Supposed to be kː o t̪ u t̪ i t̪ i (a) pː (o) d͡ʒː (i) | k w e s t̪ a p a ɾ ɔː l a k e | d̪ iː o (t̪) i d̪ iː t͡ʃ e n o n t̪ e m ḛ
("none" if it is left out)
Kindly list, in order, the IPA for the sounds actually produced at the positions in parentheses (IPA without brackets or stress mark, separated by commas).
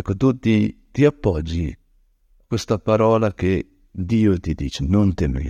a, ɔ, i, t̪